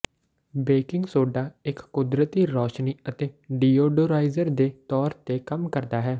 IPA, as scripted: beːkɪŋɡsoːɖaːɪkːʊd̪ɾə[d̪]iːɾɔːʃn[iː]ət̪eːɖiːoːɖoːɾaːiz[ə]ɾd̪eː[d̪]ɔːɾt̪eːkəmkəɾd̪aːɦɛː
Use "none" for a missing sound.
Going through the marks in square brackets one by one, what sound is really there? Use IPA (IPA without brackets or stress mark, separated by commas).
t̪, iː, ə, t̪